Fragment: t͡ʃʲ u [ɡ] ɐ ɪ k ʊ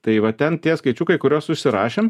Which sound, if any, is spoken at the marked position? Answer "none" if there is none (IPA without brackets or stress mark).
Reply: k